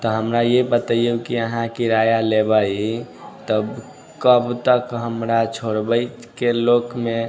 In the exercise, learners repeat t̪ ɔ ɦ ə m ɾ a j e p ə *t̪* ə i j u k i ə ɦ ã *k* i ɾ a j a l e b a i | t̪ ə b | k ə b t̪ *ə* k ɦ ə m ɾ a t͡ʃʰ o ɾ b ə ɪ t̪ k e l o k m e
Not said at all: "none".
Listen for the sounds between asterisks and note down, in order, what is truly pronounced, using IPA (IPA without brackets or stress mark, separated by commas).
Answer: t̪, k, ə